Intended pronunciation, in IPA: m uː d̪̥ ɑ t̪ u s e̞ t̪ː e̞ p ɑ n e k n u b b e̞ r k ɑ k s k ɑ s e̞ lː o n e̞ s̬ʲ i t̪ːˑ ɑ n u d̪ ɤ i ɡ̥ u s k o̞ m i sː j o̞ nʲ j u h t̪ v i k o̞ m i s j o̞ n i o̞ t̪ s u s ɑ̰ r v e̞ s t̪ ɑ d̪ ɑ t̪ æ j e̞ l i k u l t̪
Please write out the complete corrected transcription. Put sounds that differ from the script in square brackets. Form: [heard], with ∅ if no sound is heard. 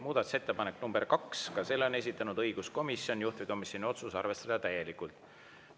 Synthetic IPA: m uː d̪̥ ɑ t̪ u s e̞ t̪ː e̞ p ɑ n e k n u [m] b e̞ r k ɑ k s k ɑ s e̞ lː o n e̞ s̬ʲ i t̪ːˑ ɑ n u d̪ ɤ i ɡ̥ u s k o̞ m i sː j o̞ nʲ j u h t̪ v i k o̞ m i s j o̞ n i o̞ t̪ s u s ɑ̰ r v e̞ s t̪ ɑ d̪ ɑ t̪ æ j e̞ l i k u l t̪